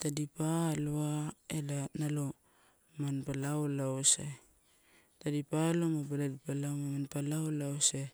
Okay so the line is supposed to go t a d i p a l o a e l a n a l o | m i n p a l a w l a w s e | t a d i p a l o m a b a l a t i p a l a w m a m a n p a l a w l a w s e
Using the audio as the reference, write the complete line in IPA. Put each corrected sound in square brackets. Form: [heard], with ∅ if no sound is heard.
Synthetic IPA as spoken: t a d i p a l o a e l a n a l o | m [a] n p a l a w l a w s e | t a d i p a l o m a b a l a [d] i p a l a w m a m a n p a l a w l a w s e